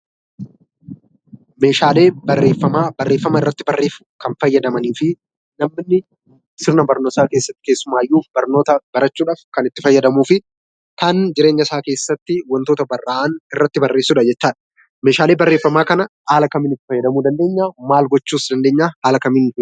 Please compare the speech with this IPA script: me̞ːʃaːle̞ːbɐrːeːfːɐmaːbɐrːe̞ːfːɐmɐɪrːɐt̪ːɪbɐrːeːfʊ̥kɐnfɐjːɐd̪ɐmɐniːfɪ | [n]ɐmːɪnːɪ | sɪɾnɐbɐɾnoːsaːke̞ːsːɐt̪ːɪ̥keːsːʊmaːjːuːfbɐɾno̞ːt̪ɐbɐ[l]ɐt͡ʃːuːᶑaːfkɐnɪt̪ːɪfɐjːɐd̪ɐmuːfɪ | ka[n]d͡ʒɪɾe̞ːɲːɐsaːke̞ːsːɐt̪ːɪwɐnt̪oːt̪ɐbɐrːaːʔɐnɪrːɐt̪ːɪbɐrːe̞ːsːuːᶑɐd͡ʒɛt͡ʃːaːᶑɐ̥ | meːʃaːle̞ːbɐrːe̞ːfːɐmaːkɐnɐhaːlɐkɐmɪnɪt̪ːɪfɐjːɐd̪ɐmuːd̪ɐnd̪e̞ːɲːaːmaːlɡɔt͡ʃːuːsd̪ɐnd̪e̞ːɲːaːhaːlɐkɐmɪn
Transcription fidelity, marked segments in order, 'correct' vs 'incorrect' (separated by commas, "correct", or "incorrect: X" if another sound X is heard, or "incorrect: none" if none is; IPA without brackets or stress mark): correct, incorrect: ɾ, correct